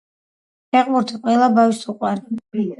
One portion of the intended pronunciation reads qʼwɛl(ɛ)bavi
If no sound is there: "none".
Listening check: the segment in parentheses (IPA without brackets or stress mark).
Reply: a